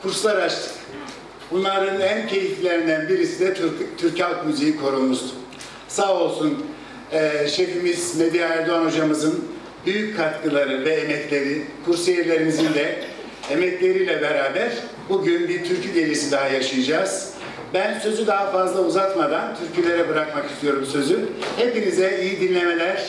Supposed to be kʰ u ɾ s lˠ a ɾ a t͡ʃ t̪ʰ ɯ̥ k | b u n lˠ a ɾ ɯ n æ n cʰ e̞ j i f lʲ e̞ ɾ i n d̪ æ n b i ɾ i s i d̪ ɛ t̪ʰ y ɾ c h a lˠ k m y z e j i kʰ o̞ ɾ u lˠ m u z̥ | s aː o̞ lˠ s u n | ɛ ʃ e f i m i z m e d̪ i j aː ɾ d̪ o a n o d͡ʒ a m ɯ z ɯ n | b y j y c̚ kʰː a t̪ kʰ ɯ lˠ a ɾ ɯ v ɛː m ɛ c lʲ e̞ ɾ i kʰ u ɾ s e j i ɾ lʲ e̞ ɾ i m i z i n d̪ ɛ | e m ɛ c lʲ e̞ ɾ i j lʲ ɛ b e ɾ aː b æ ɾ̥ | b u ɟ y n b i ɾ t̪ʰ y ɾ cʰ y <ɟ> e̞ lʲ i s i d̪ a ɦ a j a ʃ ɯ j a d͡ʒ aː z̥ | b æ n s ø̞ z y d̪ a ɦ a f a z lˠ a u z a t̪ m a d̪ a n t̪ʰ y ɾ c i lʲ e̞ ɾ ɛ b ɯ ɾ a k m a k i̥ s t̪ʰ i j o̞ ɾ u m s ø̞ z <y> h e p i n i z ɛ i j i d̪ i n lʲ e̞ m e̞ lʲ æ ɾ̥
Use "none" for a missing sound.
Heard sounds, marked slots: ɟ, y

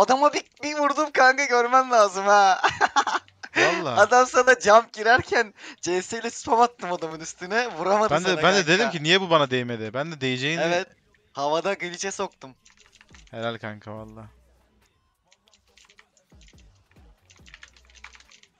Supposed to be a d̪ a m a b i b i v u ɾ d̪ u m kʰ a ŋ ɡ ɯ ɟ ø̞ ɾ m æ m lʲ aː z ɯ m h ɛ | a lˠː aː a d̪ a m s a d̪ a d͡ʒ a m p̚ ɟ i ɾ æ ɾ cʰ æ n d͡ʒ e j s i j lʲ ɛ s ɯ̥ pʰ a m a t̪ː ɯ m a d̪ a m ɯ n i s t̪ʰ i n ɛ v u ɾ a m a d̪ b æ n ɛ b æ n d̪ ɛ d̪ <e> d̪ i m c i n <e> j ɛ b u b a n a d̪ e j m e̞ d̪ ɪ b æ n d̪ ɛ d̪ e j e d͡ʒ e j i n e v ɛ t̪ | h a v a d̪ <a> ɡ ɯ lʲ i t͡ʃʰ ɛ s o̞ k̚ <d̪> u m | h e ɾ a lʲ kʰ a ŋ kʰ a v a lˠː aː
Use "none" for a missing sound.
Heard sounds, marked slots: e, i, a, t̪

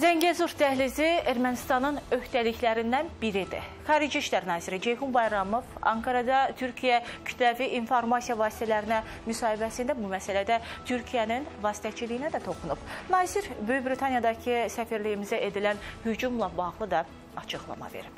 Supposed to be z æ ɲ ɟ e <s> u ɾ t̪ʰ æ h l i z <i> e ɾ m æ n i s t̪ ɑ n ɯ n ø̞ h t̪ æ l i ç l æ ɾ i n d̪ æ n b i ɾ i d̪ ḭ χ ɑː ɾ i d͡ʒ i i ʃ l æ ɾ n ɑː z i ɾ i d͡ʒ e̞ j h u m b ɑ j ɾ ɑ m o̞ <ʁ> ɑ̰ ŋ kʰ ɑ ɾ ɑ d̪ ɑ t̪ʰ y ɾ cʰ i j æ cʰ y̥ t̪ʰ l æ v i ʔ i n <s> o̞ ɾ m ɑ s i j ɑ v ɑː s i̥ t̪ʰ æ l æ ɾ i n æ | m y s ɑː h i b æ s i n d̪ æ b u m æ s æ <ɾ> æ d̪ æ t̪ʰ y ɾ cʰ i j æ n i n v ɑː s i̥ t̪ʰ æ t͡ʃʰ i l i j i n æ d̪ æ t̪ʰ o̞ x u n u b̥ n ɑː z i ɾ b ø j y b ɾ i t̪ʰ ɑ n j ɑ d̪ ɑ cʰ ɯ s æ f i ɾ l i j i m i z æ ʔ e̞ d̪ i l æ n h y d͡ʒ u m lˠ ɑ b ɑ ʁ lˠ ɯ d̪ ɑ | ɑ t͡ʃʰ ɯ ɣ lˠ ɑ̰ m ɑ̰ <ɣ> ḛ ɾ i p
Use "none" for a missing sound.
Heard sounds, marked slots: z, i, v, f, l, v

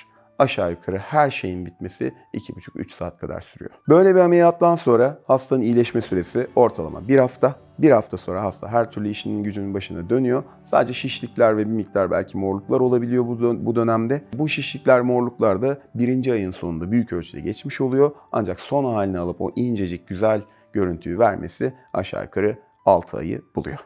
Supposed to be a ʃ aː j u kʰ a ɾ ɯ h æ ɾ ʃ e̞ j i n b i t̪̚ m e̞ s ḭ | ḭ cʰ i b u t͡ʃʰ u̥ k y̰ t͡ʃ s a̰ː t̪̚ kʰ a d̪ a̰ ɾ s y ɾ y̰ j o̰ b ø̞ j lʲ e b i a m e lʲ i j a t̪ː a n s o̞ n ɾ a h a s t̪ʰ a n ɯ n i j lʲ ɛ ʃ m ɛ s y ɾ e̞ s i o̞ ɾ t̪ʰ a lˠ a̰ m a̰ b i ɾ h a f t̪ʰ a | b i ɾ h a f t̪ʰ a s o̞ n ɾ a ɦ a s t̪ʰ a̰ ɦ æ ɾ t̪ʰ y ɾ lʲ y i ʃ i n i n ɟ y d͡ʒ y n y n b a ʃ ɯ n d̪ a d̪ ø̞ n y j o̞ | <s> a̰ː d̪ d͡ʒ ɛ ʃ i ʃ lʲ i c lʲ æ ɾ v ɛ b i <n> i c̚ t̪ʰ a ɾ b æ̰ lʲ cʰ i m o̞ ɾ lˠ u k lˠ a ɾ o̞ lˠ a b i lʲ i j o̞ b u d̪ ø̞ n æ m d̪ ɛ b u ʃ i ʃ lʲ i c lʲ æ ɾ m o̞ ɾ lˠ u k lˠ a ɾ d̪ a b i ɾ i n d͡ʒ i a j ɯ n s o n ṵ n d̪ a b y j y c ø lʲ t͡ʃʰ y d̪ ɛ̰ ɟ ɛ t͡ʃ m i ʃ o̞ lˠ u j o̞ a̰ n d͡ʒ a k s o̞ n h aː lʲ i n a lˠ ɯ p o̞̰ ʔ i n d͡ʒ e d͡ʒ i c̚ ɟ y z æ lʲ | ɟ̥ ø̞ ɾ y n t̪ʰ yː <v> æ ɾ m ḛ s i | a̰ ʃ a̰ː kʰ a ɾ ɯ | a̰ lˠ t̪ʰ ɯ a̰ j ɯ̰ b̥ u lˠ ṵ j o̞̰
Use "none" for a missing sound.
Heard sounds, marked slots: s, m, v

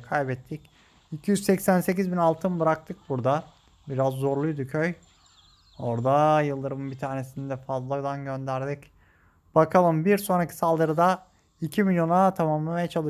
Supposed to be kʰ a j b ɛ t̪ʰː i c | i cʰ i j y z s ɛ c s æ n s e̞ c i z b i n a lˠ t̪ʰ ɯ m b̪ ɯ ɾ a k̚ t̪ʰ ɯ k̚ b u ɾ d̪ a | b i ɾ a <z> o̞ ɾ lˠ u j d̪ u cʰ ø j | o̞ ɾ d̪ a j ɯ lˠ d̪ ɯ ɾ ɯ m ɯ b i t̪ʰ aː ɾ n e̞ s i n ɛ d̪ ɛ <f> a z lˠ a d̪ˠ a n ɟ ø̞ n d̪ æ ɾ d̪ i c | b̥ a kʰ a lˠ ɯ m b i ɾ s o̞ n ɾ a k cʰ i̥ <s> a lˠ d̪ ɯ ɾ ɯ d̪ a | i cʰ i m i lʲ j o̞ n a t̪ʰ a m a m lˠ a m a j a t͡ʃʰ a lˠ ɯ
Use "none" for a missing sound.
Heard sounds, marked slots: zː, f, s

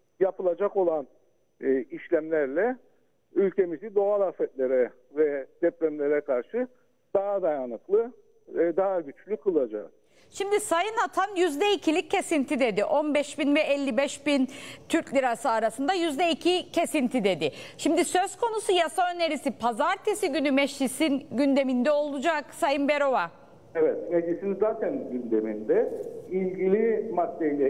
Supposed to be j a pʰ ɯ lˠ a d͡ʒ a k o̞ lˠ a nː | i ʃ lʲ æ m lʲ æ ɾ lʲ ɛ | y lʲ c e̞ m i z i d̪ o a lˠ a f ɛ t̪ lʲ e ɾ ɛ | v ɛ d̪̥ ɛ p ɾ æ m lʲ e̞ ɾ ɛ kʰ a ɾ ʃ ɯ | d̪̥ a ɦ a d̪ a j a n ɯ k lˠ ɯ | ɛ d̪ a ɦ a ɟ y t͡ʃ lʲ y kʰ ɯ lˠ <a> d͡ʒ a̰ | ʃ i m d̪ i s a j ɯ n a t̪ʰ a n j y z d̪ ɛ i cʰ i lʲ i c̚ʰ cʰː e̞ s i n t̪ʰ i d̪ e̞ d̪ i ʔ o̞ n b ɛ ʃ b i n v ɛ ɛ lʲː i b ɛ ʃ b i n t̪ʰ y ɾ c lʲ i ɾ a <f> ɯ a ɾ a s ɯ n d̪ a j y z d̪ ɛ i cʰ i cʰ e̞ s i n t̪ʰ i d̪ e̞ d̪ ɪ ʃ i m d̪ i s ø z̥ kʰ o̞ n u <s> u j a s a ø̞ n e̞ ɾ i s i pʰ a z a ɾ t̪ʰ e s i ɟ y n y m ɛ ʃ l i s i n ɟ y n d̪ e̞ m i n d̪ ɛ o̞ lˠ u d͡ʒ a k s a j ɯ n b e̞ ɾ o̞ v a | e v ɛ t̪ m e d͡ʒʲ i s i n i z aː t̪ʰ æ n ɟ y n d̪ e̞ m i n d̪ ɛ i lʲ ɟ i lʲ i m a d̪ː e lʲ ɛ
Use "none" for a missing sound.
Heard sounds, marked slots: a, s, s

